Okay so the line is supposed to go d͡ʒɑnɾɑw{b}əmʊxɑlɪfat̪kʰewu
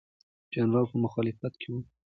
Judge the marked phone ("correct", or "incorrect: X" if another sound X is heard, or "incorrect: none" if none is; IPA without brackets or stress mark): incorrect: p